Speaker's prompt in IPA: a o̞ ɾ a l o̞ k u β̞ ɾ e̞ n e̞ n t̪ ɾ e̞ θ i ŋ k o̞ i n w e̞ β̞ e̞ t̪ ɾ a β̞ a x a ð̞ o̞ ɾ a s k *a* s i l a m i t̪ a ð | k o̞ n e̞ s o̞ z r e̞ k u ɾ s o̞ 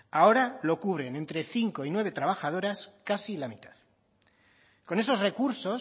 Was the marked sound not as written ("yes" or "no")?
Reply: no